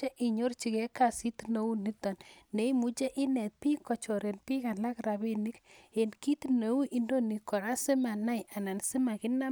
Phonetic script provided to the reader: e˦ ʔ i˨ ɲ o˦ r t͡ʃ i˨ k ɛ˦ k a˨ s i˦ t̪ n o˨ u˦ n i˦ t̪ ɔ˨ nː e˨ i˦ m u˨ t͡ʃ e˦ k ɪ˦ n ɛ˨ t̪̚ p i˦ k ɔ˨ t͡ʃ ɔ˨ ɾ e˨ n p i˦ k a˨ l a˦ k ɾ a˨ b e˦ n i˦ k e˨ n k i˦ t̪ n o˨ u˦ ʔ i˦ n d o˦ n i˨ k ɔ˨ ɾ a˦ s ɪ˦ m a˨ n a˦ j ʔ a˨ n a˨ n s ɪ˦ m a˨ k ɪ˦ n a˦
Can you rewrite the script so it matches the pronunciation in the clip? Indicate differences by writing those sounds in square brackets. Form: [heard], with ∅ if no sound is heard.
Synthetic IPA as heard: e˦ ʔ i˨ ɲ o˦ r t͡ʃ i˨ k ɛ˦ k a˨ s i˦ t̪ n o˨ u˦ n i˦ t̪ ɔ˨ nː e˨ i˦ m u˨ t͡ʃ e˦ [ʔ] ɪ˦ n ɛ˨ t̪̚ p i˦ k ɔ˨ t͡ʃ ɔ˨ ɾ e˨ n p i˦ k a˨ l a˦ k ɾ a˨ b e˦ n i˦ k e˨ n k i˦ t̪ n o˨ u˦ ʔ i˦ n d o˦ n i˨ k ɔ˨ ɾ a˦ s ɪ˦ m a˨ n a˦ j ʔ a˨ n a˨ n s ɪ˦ m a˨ k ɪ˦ n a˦